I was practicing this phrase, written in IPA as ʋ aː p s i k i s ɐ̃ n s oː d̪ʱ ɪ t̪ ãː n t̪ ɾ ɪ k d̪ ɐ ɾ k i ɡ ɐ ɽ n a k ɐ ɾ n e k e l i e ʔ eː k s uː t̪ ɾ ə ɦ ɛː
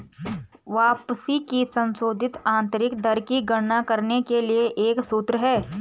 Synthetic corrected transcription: ʋ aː p s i k i s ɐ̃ n s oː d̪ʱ ɪ t̪ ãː n t̪ ɾ ɪ k d̪ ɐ ɾ k i ɡ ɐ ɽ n a k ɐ ɾ n e k e l i e ʔ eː k s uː t̪ ɾ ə ɦ ɛː